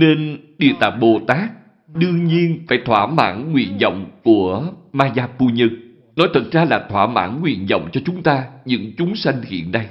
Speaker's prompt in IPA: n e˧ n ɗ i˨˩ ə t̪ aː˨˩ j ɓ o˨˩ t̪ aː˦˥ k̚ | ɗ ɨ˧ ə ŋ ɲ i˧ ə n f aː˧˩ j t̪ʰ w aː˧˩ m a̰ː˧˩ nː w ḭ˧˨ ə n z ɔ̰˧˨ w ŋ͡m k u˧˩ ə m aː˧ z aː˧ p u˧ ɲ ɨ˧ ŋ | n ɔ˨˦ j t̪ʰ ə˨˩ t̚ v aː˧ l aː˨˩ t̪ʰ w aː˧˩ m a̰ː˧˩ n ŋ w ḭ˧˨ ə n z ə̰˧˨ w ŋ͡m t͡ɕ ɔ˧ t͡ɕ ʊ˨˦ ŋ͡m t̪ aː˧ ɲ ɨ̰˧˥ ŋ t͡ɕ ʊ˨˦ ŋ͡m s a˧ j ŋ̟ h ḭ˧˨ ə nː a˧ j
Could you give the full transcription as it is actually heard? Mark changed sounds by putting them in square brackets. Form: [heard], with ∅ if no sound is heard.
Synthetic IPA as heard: n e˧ n ɗ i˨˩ ə t̪ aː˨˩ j ɓ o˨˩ t̪ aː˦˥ k̚ | ɗ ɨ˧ ə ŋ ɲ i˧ ə n f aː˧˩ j t̪ʰ w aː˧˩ m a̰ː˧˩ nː w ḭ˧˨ ə n z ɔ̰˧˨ w ŋ͡m k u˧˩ ə m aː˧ z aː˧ p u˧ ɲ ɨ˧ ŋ | n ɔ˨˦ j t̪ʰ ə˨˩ t̚ [z] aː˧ l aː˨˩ t̪ʰ w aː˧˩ m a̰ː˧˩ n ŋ w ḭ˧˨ ə n z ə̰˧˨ w ŋ͡m t͡ɕ ɔ˧ t͡ɕ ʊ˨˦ ŋ͡m t̪ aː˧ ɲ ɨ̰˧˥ ŋ t͡ɕ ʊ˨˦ ŋ͡m s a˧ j ŋ̟ h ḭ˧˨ ə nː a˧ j